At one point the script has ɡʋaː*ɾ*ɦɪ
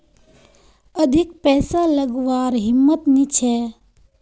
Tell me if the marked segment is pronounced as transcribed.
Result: yes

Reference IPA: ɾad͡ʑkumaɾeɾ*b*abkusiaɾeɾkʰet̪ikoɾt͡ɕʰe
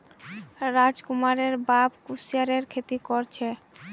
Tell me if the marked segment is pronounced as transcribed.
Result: yes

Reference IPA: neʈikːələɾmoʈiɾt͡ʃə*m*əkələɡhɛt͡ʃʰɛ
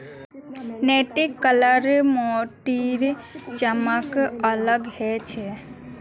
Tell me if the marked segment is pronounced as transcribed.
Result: yes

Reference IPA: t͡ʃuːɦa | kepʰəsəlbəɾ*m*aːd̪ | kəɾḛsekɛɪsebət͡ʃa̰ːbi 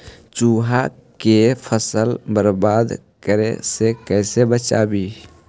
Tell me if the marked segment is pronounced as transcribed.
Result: no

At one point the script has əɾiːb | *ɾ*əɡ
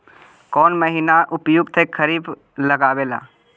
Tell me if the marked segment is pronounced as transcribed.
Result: no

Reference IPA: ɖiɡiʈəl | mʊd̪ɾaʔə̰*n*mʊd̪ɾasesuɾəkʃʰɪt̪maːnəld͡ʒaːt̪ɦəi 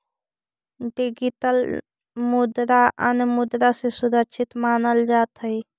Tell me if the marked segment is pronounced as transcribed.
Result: yes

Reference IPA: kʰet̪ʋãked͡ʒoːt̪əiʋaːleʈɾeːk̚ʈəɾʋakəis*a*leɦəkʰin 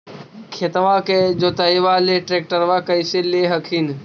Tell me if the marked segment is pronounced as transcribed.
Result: no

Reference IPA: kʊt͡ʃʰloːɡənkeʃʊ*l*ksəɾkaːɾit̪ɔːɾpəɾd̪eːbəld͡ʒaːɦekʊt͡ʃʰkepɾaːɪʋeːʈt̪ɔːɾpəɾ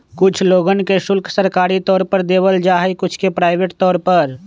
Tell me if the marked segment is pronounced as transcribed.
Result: yes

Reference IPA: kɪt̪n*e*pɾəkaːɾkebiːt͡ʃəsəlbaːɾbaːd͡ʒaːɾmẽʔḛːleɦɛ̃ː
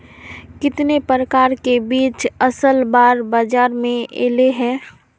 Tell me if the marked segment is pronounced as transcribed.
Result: yes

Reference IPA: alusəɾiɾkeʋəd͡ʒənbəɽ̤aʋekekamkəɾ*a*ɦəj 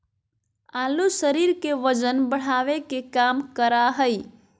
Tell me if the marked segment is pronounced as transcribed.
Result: yes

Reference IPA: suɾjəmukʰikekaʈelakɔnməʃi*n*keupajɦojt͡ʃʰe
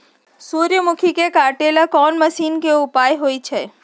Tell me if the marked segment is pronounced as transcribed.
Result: yes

